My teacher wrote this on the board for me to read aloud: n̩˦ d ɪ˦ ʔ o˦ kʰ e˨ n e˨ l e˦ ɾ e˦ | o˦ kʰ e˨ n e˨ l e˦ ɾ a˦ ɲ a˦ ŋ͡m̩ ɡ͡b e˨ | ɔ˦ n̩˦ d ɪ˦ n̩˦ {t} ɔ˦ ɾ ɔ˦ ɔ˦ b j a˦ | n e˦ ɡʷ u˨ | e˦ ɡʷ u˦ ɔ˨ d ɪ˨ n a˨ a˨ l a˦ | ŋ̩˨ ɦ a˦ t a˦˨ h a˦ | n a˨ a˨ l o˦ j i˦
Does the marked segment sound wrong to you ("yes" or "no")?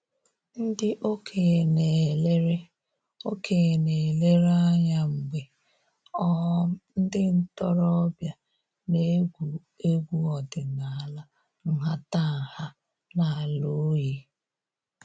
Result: no